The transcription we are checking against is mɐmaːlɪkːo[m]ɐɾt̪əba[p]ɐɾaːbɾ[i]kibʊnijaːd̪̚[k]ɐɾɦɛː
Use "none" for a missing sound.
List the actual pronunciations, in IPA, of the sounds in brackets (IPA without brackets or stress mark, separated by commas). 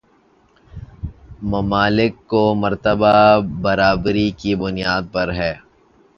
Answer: m, b, i, p